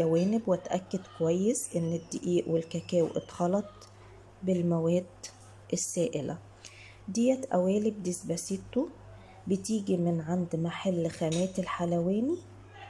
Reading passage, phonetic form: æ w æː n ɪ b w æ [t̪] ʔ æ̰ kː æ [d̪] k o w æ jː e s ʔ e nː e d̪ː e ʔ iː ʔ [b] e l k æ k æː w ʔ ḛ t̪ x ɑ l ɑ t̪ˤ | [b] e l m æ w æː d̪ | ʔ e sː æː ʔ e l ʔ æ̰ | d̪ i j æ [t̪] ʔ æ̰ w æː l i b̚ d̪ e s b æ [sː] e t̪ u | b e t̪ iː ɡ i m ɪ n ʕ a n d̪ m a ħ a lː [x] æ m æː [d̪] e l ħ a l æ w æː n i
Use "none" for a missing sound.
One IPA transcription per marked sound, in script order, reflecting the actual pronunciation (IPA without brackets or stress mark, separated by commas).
t̪, d̪, w, b, t̪, s, x, t̪